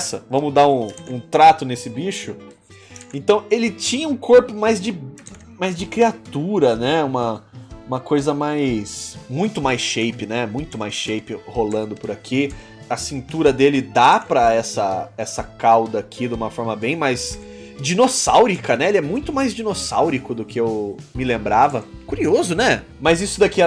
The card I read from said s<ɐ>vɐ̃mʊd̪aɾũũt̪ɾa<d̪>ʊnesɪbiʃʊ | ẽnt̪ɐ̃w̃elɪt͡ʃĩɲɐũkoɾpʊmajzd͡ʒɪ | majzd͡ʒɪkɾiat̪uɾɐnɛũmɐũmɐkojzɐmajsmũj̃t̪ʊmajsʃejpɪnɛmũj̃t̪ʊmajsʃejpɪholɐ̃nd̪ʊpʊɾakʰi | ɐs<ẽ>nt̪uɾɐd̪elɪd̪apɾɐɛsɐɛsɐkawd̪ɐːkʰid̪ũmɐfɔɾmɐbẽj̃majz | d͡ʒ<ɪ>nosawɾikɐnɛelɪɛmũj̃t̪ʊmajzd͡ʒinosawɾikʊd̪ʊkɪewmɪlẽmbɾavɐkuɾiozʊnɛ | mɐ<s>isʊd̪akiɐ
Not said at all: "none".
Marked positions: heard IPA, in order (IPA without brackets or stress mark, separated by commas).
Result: ɐ, t̪, ĩ, i, z